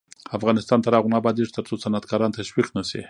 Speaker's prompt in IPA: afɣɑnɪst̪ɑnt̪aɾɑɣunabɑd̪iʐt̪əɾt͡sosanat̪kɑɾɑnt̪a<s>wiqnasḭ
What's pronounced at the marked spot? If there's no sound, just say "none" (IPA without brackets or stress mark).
ʃ